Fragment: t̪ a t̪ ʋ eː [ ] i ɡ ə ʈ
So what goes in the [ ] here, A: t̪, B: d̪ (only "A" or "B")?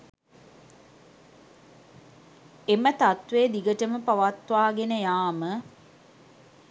B